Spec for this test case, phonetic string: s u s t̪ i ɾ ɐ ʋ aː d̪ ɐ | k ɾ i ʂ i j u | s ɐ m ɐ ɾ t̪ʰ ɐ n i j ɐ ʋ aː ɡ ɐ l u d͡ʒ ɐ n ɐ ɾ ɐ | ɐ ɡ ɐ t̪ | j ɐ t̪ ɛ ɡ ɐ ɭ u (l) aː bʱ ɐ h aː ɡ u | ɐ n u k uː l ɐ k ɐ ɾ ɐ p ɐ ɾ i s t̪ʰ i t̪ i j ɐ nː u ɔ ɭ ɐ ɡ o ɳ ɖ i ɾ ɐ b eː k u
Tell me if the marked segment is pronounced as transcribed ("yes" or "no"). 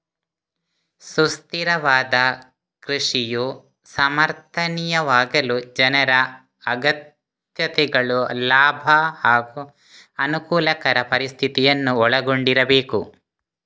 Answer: yes